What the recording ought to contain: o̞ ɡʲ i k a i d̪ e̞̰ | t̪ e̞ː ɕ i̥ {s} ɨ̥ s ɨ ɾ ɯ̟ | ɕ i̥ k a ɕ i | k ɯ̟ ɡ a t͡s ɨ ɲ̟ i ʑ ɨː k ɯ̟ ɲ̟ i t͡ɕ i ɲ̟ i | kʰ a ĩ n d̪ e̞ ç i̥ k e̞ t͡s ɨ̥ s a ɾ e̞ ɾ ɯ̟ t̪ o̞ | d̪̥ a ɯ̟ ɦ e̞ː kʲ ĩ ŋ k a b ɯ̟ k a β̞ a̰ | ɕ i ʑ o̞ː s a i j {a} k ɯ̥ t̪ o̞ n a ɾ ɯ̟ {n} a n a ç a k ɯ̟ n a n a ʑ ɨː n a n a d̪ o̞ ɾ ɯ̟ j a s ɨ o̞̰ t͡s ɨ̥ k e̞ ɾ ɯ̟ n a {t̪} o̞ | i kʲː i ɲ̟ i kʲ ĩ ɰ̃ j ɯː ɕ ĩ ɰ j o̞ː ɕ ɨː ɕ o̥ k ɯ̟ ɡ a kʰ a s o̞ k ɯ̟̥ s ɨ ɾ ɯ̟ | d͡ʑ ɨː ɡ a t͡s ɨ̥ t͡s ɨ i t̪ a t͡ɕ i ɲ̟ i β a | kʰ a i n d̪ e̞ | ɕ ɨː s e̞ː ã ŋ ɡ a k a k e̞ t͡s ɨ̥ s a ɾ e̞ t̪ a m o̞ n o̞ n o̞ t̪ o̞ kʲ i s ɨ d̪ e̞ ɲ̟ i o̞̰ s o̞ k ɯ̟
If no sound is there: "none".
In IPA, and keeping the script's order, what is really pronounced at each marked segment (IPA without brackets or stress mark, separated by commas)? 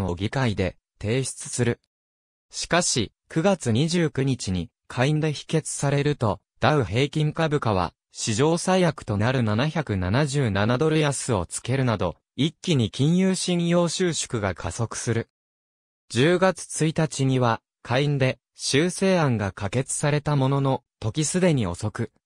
t͡s, a, n, d̪